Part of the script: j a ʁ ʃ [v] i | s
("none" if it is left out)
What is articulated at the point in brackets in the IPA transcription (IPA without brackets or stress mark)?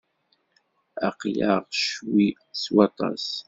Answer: w